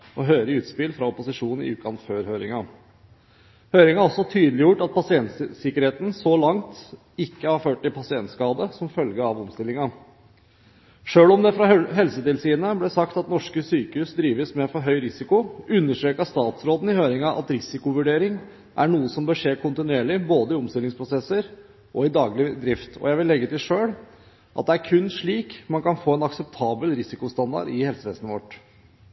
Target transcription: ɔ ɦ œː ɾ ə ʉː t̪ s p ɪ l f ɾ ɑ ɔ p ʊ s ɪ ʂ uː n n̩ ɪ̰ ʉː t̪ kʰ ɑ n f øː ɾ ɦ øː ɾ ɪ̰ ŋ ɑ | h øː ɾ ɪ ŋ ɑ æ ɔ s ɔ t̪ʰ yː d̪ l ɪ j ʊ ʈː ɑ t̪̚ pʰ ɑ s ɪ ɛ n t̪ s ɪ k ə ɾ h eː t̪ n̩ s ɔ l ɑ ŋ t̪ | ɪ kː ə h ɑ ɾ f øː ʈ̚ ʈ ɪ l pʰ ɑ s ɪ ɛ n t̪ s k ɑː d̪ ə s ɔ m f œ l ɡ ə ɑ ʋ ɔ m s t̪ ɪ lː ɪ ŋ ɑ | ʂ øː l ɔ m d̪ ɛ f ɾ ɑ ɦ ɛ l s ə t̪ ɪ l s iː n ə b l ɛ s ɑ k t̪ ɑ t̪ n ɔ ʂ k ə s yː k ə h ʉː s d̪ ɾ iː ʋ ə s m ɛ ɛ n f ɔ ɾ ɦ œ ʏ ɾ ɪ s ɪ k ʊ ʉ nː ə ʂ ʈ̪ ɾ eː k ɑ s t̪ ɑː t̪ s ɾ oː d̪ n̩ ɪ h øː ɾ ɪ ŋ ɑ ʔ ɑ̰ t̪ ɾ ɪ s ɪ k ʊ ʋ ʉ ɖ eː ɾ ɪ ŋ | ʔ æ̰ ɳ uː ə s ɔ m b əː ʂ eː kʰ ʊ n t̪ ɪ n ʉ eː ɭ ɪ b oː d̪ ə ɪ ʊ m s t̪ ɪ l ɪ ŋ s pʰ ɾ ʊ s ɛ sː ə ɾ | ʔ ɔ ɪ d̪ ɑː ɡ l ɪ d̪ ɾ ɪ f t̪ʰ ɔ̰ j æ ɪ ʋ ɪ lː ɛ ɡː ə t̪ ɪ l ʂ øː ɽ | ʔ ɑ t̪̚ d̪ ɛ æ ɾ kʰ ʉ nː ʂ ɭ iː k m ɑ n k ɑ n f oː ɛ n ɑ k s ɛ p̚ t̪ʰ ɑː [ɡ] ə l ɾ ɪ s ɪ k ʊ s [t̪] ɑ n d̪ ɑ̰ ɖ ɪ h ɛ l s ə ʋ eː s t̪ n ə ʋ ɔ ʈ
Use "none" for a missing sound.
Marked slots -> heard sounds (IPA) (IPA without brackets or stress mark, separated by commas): b, t̪